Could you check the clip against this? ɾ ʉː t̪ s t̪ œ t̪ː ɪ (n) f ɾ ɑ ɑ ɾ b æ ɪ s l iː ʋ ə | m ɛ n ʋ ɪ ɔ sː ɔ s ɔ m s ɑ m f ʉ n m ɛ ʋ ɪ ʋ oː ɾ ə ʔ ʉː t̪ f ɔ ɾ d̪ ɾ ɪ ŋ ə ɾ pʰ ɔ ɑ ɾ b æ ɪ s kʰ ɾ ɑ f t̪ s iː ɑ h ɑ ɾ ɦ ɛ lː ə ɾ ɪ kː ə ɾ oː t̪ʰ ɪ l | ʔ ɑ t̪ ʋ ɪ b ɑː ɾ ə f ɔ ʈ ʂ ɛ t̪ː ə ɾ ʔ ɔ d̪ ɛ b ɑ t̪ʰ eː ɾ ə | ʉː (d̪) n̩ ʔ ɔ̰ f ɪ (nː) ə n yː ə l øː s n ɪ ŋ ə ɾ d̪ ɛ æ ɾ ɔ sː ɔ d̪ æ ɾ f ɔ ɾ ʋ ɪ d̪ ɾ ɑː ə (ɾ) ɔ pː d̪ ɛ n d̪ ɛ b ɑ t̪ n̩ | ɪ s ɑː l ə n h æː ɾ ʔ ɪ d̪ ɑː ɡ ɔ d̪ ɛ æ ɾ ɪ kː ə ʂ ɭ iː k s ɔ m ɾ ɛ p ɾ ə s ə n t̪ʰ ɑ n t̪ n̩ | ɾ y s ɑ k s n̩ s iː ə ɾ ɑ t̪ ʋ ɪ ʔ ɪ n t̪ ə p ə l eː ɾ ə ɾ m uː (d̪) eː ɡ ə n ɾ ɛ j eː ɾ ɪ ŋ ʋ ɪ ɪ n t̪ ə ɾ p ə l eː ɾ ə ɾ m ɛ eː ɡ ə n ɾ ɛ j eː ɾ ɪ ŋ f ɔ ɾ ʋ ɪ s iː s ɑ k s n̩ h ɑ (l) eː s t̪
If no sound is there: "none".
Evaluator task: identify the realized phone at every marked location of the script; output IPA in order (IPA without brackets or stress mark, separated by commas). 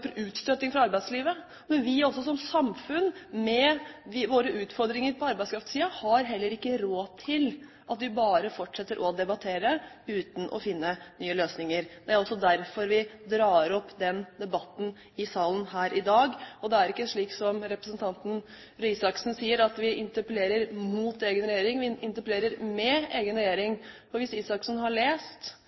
ŋ, t̪, nː, ɾ, t̪, ɭ